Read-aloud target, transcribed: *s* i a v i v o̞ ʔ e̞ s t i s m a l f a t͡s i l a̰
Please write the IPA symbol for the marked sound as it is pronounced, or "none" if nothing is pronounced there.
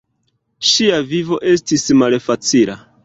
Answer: ʃ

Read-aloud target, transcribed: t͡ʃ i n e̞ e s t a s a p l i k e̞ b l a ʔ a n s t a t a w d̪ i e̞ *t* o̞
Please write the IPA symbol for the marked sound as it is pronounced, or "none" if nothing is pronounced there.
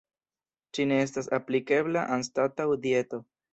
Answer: t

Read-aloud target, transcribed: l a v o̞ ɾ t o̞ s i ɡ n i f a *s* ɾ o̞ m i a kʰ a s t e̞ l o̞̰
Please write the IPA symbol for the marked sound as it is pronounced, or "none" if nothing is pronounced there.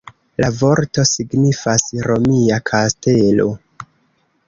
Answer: s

